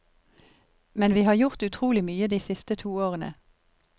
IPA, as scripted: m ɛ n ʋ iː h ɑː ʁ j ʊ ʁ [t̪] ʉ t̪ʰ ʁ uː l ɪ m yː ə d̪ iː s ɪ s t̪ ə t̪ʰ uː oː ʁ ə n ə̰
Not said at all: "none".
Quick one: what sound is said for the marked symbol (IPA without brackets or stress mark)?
t̪